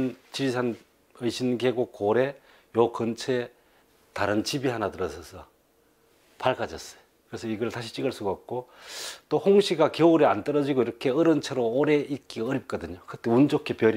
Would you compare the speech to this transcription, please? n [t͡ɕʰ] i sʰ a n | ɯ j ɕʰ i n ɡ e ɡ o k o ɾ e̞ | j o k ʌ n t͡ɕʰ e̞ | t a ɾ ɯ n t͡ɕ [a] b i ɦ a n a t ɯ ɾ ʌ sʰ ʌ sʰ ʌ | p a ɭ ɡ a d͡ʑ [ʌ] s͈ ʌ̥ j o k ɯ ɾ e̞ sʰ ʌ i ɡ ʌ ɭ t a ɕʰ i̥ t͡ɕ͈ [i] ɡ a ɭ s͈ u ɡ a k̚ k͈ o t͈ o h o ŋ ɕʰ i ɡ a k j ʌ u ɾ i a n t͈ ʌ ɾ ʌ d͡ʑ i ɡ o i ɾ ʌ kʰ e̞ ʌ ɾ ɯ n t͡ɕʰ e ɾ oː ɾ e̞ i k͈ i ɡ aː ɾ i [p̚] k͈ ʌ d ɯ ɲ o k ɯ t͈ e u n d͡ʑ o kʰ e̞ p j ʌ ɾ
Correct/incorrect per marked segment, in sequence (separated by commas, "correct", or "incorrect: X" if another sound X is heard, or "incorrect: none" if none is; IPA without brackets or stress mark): incorrect: t͡ɕ, incorrect: i, correct, correct, correct